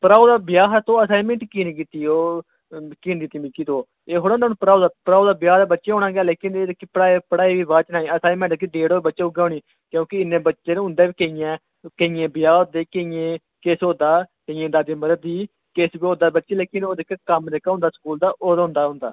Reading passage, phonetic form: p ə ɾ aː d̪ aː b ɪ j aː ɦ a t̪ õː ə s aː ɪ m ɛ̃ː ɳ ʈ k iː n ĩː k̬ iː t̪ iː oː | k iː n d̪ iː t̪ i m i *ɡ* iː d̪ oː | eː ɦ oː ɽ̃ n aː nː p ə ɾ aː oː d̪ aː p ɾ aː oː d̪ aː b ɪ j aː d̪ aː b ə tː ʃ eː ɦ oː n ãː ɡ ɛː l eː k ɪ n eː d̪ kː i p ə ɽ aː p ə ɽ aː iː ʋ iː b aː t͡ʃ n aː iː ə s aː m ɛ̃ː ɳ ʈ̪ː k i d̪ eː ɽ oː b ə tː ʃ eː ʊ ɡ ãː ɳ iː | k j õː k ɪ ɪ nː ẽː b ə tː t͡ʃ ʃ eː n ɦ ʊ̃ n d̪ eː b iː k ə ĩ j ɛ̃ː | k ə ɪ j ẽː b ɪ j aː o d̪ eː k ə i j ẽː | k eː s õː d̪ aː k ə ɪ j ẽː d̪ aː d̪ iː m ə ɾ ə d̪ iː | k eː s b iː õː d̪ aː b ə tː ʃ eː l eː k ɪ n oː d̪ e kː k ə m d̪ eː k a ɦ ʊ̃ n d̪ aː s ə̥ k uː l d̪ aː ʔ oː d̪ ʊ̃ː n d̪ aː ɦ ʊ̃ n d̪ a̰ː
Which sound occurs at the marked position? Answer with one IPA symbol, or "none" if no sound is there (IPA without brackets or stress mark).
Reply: k